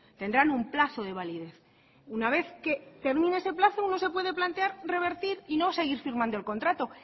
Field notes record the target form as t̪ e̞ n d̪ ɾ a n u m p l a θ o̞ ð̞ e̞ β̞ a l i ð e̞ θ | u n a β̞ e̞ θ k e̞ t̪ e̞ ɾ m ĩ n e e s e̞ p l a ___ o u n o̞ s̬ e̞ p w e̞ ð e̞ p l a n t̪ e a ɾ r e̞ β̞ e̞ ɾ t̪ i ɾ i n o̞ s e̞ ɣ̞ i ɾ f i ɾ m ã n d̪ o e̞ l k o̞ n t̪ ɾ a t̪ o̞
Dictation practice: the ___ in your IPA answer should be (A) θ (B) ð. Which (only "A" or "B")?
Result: A